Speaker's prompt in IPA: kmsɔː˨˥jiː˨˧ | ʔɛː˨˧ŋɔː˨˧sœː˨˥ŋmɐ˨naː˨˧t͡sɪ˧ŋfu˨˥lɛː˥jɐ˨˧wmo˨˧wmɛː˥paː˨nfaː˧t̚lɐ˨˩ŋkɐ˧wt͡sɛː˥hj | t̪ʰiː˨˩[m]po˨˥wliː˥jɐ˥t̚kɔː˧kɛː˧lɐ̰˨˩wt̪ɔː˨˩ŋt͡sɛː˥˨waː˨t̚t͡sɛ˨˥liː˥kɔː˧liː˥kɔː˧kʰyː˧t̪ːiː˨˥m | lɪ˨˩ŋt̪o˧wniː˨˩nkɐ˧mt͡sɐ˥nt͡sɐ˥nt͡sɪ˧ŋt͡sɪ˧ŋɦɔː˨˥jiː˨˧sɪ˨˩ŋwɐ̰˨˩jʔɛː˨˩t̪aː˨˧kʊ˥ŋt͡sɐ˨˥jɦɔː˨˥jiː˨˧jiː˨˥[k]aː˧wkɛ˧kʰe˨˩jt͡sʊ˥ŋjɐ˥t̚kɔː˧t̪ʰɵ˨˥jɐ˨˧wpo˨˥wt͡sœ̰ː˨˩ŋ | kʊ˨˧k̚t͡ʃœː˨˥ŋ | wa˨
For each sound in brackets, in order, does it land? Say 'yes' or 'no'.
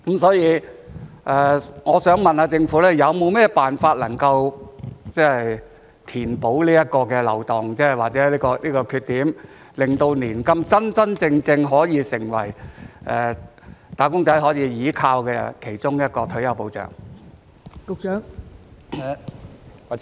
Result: no, no

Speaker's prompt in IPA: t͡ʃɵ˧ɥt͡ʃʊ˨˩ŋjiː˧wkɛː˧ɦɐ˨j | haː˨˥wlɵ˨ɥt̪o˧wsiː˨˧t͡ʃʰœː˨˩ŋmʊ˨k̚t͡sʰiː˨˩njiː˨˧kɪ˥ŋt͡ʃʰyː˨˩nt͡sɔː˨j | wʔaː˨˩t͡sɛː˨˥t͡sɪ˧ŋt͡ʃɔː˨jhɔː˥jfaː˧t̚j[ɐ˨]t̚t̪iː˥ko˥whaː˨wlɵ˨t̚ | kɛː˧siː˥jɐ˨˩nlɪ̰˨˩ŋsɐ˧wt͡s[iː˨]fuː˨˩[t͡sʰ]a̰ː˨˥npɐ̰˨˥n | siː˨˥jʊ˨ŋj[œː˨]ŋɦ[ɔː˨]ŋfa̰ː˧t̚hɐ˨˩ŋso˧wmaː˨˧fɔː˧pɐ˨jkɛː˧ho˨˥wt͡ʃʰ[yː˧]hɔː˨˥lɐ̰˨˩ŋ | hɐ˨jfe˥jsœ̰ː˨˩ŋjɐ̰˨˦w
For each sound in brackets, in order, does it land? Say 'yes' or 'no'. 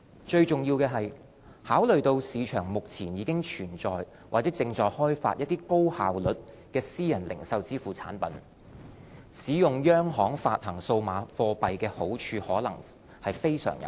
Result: no, no, yes, no, no, yes

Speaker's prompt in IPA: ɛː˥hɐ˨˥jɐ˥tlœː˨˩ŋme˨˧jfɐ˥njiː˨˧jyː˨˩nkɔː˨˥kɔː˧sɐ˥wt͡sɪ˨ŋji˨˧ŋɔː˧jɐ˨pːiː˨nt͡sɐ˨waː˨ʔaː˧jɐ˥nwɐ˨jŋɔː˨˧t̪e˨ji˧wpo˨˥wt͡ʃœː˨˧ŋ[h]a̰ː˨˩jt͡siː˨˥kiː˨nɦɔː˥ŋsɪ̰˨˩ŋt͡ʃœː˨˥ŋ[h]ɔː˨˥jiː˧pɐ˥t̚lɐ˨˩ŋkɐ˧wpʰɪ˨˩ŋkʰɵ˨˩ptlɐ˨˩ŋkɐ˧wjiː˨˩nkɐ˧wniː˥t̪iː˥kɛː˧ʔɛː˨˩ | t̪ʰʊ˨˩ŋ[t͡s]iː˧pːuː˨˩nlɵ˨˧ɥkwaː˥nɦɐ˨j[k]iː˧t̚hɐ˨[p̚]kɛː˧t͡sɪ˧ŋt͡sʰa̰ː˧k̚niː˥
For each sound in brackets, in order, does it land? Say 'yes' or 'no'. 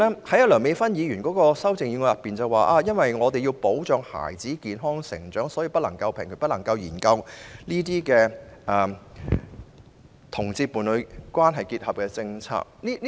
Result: yes, no, yes, yes, yes

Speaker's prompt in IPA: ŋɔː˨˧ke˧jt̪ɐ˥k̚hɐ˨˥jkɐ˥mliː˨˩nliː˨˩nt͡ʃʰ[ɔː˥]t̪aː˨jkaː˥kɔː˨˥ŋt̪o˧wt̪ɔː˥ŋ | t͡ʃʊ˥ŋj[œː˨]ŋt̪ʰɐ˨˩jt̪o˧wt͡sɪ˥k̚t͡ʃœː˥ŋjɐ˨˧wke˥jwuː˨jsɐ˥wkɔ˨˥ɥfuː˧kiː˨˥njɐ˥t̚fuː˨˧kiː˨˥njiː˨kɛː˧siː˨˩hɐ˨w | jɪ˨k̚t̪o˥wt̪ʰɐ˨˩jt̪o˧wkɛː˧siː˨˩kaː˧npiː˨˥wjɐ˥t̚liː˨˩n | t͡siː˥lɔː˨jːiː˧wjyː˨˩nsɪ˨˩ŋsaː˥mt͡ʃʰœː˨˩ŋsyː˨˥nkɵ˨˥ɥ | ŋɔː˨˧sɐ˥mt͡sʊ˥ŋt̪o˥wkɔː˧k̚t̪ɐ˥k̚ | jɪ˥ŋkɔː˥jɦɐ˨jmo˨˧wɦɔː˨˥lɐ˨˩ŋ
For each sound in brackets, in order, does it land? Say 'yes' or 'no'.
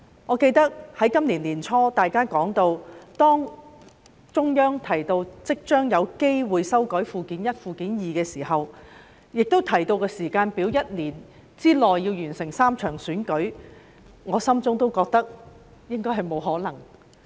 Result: yes, no

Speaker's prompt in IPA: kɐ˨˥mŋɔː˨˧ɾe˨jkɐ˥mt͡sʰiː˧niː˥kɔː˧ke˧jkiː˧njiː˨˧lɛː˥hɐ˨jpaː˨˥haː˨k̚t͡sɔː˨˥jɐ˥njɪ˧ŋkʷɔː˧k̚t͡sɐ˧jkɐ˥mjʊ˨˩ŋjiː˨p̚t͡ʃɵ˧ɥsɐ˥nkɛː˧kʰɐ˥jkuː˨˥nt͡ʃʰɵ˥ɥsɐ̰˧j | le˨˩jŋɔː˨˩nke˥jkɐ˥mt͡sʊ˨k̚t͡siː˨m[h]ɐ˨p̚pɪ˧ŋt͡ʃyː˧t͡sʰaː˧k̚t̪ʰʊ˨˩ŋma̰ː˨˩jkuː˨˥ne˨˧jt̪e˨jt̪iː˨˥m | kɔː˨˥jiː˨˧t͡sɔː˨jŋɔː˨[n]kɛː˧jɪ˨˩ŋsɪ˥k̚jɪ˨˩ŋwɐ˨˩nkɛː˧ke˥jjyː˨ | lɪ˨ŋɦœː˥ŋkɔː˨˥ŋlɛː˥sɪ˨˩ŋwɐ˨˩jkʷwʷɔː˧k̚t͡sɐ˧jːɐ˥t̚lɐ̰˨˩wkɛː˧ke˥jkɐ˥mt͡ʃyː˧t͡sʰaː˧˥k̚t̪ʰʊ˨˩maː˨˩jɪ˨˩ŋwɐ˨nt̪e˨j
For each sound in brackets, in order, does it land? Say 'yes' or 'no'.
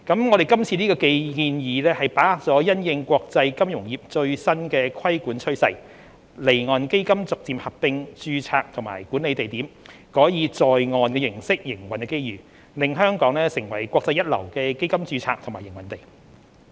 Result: yes, yes

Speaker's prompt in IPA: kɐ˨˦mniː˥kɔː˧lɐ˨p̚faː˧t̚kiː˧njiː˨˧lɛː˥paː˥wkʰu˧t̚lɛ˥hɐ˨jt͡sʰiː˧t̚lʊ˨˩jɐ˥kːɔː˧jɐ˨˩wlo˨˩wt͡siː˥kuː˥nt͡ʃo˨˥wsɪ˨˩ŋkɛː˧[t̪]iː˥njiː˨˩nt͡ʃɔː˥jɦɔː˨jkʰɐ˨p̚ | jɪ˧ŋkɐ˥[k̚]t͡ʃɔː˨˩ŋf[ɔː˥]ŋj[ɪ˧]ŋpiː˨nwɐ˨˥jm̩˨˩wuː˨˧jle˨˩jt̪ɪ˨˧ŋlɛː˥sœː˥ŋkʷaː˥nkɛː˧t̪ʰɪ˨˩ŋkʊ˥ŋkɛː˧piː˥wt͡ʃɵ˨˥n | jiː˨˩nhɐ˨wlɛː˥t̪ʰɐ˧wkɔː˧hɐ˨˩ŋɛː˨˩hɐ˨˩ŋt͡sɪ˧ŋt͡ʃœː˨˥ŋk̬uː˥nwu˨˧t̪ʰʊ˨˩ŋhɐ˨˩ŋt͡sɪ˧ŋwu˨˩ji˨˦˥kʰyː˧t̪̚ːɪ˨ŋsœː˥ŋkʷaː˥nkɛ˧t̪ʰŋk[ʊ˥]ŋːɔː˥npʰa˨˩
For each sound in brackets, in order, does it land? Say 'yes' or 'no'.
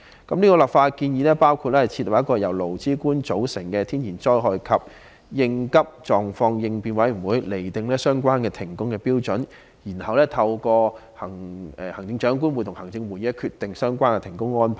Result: no, no, no, yes, yes

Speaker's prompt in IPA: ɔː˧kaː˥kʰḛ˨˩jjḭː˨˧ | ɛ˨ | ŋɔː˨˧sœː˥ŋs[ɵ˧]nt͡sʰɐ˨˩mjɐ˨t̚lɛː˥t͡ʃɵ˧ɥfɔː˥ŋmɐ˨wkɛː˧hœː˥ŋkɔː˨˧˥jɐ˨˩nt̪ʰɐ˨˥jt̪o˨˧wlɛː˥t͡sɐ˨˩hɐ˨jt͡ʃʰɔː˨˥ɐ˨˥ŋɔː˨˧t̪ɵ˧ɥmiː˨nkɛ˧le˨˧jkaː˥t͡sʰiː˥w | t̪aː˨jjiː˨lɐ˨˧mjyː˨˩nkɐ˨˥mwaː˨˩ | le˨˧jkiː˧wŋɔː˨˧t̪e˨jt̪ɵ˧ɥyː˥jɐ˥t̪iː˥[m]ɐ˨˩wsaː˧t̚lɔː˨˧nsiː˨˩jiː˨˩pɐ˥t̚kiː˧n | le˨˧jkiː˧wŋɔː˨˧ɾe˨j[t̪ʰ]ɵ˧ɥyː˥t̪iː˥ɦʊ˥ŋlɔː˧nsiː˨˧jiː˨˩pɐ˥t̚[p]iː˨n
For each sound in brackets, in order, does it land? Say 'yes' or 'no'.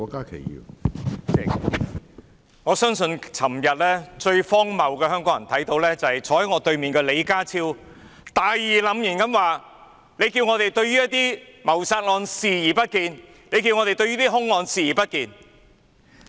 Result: yes, yes, no, no

